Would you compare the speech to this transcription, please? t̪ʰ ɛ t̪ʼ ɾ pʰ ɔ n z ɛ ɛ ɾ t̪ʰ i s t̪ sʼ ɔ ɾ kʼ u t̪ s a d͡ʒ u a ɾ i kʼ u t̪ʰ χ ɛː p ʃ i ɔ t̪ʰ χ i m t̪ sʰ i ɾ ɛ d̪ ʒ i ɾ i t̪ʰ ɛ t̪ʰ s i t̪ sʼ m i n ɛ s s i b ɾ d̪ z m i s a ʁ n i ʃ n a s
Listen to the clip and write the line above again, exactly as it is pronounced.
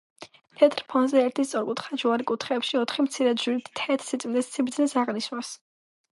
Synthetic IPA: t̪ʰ ɛ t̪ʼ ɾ pʰ ɔ n z ɛ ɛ ɾ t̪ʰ i s t̪ sʼ ɔ ɾ kʼ u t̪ χ a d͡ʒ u a ɾ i kʼ u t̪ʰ χ ɛː p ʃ i ɔ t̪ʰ χ i m t̪ sʰ i ɾ ɛ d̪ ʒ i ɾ i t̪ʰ ɛ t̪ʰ s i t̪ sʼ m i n ɛ s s i b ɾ d̪ z n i s a ʁ n i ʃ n a s